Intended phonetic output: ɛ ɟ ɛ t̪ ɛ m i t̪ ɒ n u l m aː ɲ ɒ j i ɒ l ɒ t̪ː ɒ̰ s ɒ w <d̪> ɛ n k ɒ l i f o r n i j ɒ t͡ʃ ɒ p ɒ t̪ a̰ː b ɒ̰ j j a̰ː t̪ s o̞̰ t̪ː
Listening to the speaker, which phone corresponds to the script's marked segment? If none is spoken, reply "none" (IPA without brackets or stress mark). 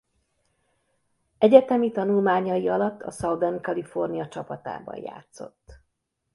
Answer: d̪